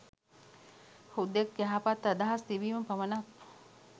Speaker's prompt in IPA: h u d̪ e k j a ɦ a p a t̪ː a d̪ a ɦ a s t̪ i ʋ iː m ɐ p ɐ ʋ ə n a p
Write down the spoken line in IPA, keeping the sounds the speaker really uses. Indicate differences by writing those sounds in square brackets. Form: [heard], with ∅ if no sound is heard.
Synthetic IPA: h u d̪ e k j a ɦ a p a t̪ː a d̪ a ɦ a s t̪ i ʋ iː m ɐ p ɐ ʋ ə n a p